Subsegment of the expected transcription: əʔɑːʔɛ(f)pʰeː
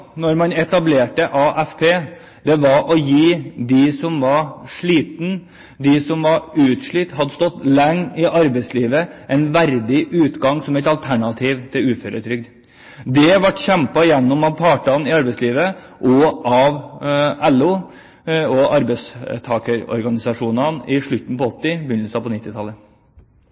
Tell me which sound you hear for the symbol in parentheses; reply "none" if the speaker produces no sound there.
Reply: f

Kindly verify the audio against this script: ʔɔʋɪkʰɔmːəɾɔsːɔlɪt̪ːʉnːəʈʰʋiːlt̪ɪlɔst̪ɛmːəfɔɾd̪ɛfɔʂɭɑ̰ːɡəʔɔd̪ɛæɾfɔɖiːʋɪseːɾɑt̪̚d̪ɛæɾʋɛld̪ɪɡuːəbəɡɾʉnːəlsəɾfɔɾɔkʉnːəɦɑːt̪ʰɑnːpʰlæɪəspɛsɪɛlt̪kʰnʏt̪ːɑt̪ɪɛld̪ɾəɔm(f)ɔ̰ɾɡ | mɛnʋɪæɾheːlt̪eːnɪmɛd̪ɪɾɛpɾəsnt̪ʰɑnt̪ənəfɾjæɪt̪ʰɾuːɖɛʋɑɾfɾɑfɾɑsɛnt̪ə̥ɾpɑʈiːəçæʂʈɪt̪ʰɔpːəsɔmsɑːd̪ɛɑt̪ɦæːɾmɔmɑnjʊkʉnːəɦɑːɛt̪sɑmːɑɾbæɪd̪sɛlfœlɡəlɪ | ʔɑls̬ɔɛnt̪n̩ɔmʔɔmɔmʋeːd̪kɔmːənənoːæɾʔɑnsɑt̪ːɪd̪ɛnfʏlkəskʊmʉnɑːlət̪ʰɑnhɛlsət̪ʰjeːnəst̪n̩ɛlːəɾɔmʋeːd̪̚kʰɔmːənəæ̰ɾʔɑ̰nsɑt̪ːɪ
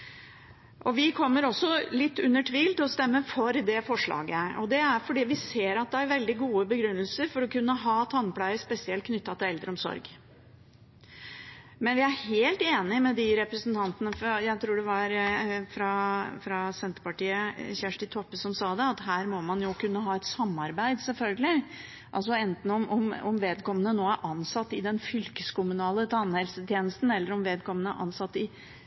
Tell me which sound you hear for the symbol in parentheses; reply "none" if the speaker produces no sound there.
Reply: s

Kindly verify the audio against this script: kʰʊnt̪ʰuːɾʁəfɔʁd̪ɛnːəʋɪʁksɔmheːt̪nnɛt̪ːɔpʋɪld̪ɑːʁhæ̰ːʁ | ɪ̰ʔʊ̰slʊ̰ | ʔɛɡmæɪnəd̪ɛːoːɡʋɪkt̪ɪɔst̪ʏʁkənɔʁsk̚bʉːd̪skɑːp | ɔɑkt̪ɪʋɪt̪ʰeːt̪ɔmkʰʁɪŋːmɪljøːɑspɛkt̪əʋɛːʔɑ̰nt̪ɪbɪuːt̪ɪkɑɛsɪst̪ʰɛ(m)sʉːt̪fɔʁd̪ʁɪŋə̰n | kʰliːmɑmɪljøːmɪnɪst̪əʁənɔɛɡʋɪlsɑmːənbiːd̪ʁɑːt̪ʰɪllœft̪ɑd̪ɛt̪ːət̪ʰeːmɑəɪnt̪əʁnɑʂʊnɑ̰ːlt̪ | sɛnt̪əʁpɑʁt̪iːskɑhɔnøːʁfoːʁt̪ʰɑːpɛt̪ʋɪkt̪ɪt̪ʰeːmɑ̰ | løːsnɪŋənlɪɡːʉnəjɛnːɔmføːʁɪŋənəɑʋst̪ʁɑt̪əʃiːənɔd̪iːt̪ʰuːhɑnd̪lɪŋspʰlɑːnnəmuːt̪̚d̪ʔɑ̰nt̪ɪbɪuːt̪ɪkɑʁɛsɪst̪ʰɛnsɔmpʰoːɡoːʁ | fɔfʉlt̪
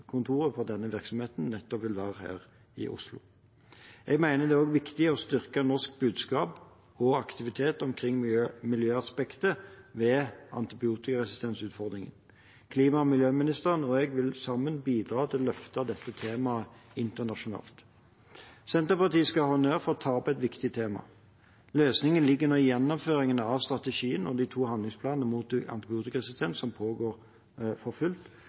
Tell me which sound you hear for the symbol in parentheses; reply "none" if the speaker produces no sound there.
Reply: n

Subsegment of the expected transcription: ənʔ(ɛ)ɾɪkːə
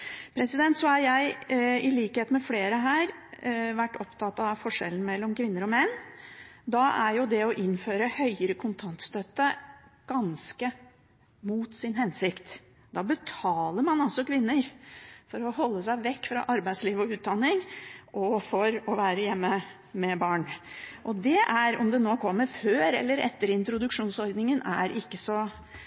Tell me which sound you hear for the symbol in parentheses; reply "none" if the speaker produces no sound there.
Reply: æ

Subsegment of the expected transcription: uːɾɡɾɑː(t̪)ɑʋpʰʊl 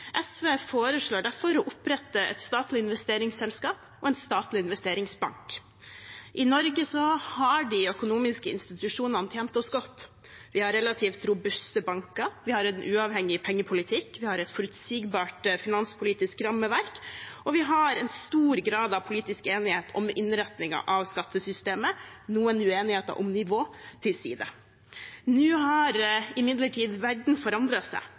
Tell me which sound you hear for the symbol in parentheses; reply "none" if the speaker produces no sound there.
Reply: d̪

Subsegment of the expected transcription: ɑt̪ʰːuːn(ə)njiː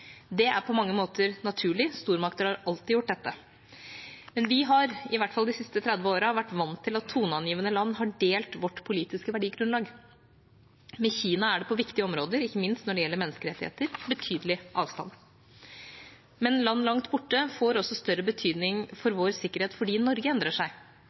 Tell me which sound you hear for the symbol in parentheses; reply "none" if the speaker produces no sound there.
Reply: ɑ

